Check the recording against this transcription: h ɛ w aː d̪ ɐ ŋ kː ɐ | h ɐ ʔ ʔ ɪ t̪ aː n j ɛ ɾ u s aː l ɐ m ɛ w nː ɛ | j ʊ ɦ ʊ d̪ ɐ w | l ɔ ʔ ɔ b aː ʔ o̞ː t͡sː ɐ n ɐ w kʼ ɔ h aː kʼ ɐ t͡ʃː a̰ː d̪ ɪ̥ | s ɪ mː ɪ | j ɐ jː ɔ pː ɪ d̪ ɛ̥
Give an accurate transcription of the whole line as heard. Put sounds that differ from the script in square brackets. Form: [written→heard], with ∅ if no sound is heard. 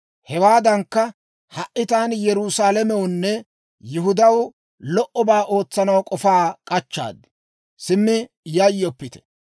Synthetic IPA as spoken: h ɛ w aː d̪ ɐ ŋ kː ɐ | h ɐ ʔ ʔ ɪ t̪ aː n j ɛ ɾ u s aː l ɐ m ɛ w nː ɛ | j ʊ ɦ ʊ d̪ ɐ w | l ɔ ʔ ɔ b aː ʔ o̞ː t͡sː ɐ n ɐ w kʼ ɔ [h→f] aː kʼ ɐ t͡ʃː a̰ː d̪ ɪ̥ | s ɪ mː ɪ | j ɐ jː ɔ pː ɪ [d̪→t̪] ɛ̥